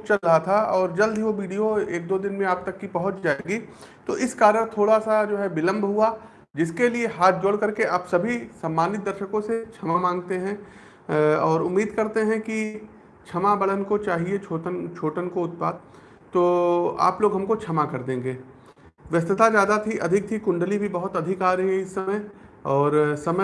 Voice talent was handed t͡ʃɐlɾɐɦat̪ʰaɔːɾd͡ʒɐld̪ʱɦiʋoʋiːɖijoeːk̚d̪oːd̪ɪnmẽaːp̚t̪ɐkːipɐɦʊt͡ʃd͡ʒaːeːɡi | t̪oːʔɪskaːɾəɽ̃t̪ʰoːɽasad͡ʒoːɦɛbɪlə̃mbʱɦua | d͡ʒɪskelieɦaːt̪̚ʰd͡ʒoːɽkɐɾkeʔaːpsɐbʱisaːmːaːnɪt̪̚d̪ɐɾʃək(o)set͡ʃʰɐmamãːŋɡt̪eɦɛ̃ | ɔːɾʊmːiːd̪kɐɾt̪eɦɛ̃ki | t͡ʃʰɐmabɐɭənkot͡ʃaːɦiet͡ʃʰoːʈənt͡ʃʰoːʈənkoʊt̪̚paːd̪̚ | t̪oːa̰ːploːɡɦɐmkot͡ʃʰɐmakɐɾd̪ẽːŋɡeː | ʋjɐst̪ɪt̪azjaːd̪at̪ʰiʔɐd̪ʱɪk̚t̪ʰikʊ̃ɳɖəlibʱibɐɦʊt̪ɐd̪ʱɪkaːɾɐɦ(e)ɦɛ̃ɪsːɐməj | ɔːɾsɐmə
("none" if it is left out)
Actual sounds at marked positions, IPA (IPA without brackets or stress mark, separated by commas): õ, i